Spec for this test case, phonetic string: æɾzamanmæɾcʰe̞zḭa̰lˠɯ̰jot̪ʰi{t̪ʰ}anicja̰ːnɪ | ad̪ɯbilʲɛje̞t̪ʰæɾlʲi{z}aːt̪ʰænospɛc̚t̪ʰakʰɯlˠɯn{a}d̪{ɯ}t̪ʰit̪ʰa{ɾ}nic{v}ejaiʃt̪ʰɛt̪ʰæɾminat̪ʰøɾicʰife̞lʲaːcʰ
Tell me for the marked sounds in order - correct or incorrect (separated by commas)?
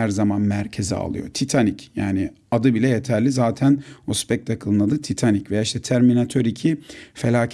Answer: correct, correct, correct, correct, incorrect, correct